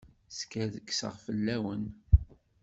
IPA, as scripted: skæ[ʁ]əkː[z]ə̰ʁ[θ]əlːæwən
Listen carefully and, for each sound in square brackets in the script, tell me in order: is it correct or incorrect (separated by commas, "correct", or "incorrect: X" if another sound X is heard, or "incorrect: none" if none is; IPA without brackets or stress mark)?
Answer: incorrect: ð, incorrect: s, incorrect: f